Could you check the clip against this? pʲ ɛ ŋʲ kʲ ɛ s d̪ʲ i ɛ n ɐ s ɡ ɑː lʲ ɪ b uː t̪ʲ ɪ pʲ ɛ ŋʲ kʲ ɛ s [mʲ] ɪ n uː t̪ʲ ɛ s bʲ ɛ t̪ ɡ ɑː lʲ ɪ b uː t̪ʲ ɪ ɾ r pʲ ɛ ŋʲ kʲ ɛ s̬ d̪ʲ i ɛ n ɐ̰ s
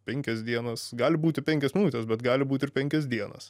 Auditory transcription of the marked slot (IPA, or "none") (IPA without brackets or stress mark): mʲ